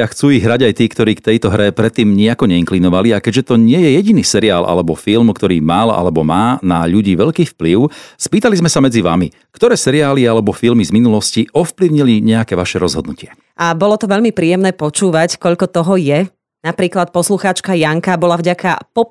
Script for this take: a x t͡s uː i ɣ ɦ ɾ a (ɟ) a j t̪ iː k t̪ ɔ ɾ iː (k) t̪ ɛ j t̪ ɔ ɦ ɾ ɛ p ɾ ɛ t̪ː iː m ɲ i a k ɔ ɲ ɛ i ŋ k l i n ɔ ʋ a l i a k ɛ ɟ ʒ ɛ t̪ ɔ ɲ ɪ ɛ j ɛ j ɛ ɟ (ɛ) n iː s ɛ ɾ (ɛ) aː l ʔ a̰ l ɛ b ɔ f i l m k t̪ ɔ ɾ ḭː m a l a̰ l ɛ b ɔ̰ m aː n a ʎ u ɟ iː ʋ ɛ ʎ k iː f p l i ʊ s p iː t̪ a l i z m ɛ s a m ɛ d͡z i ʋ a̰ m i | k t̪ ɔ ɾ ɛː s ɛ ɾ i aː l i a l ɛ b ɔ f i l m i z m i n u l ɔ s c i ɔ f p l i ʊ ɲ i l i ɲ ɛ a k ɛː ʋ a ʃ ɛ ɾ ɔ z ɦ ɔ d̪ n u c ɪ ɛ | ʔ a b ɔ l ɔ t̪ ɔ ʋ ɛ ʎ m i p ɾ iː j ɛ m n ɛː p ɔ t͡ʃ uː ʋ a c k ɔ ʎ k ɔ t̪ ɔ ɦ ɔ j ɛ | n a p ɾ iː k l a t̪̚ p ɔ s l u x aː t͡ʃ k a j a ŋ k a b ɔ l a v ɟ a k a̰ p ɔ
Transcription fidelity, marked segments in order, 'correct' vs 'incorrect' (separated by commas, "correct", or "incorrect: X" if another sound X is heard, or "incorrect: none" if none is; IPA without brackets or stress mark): correct, correct, incorrect: i, incorrect: i